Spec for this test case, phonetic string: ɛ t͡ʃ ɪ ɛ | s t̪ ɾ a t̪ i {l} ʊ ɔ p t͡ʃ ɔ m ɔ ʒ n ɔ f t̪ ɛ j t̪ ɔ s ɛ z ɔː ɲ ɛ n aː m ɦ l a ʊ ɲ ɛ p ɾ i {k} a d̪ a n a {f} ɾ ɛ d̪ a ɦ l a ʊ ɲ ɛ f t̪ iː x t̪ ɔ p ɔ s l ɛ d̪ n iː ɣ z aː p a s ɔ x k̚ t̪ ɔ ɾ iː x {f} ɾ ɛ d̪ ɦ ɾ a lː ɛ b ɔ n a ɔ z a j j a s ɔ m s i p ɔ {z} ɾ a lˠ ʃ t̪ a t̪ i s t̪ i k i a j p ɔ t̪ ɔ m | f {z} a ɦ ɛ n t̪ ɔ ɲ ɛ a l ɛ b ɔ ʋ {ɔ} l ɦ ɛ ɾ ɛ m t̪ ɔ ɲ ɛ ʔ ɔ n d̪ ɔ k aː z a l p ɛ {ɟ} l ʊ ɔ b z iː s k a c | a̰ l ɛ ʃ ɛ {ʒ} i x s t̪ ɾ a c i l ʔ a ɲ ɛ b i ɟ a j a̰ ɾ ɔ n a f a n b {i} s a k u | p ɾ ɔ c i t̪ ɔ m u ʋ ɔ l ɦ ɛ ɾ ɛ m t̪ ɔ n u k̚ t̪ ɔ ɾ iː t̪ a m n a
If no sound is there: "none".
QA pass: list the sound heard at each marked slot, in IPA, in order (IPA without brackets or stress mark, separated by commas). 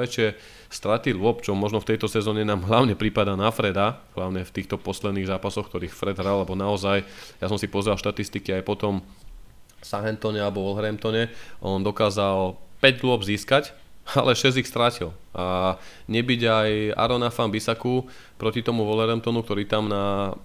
l, p, f, f, z, s, ɔ, ɟ, z, i